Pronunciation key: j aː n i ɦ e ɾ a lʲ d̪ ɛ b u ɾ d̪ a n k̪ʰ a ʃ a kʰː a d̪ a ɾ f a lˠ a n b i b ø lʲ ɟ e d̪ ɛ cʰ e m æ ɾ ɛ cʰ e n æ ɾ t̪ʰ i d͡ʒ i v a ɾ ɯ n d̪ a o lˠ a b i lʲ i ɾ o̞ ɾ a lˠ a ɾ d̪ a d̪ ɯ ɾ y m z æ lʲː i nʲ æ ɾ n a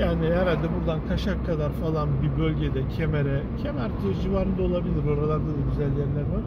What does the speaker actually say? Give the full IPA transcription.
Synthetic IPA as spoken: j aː n i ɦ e ɾ a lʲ d̪ ɛ b u ɾ d̪ a n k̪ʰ a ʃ a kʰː a d̪ a ɾ f a lˠ a n b i b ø lʲ ɟ e d̪ ɛ cʰ e m e ɾ ɛ cʰ e m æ ɾ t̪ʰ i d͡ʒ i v a ɾ ɯ n d̪ a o lˠ a b i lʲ i ɾ o̞ ɾ a lˠ a ɾ d̪ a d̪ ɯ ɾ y z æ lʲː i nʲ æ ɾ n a